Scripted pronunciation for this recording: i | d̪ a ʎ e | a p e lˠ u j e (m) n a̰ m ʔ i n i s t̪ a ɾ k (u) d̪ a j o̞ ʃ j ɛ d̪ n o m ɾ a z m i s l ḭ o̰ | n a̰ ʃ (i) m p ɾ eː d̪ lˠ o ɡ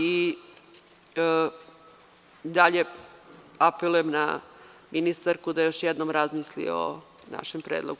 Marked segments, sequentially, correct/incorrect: correct, correct, incorrect

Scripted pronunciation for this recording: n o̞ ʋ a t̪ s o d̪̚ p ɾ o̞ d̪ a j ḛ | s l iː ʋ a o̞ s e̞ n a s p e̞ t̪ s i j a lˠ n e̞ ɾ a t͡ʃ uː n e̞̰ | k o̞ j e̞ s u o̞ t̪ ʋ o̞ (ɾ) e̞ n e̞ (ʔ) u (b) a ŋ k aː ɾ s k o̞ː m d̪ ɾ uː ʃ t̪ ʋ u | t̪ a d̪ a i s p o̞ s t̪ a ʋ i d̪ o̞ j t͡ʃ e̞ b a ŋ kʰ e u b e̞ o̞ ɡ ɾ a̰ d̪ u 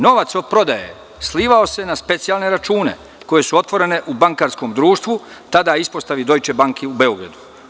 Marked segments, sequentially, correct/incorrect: correct, correct, correct

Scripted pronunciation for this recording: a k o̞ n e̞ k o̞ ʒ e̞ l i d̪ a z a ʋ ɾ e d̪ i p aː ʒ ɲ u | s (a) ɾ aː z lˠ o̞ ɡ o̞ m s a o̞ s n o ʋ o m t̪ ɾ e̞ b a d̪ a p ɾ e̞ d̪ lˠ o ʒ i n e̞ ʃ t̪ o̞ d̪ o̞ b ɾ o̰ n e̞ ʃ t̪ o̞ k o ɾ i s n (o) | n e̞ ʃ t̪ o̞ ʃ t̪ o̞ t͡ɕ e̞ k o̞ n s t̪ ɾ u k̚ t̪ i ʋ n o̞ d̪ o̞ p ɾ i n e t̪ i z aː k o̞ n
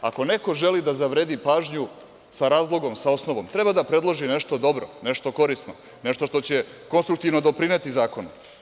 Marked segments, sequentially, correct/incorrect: correct, correct

